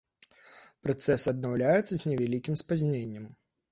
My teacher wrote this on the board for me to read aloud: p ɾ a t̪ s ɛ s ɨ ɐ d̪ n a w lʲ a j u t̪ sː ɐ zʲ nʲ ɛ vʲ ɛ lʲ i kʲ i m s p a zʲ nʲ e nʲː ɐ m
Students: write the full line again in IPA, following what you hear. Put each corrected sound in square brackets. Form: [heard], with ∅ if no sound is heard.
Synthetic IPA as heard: p ɾ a t̪ s ɛ s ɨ ɐ d̪ n a w lʲ a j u t̪ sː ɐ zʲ nʲ ɛ vʲ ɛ lʲ i kʲ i m s p a zʲ nʲ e nʲː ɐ m